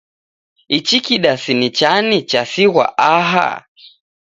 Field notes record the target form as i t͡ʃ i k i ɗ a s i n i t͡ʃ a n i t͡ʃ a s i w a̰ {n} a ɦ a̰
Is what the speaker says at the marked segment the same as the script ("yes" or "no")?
no